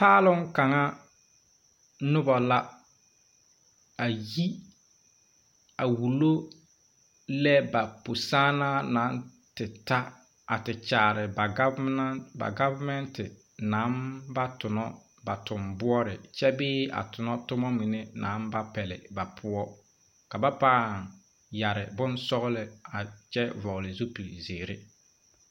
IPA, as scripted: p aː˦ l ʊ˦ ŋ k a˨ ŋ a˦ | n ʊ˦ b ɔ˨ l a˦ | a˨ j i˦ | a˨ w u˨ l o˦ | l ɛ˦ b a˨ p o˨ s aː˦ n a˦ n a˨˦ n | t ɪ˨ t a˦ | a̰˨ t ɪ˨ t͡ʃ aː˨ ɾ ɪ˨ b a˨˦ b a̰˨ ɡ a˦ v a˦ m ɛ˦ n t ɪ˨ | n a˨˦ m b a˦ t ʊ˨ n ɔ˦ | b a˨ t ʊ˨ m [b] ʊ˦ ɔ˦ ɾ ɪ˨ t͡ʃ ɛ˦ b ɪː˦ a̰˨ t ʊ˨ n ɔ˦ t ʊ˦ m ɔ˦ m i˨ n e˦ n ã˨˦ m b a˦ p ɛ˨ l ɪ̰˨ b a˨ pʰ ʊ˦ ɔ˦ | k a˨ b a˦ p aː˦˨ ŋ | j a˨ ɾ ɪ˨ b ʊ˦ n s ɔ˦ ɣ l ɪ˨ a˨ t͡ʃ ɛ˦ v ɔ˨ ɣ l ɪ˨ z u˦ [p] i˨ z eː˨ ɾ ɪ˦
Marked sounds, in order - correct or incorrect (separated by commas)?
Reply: correct, correct